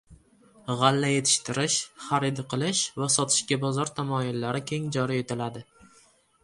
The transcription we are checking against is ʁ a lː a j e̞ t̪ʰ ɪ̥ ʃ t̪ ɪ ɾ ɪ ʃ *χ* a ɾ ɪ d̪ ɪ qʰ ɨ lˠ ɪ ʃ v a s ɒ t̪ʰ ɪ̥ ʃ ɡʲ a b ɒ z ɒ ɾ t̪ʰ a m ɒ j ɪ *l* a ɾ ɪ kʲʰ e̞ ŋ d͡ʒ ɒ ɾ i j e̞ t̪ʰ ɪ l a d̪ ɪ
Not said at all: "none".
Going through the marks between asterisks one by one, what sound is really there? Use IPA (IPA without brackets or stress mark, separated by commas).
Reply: χ, lː